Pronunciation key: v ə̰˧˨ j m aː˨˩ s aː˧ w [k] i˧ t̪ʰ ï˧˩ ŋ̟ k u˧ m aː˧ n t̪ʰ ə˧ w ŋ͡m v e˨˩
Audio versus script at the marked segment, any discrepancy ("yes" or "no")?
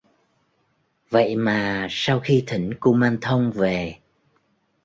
yes